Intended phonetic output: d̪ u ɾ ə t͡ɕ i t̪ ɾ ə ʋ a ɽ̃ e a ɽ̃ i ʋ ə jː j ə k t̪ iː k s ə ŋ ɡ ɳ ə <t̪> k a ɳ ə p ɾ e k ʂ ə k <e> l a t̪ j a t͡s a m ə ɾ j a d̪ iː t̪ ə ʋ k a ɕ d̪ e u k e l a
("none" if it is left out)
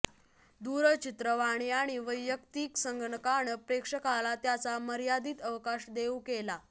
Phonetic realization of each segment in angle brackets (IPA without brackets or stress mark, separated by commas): none, a